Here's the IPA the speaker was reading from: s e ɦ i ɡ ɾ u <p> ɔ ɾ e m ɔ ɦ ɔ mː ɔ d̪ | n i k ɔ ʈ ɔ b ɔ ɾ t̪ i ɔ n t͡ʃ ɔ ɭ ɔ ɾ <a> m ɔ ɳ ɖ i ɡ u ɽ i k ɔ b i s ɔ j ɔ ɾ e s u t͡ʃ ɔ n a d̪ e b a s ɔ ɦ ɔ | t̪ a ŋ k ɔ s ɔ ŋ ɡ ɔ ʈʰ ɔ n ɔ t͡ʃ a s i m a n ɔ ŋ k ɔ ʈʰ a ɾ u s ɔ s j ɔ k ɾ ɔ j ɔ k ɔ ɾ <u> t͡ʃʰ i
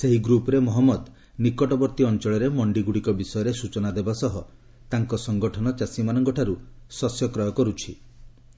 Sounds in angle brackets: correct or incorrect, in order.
correct, incorrect, correct

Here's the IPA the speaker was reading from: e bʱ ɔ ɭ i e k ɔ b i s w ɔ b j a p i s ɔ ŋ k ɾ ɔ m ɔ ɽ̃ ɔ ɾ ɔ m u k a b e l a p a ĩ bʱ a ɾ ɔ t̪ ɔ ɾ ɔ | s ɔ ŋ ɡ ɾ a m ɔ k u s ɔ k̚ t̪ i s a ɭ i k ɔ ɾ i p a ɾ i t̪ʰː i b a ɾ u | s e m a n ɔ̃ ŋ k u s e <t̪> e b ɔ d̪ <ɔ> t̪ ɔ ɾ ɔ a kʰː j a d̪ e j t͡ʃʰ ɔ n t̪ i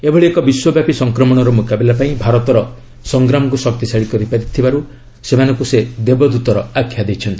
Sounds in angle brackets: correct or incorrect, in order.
incorrect, incorrect

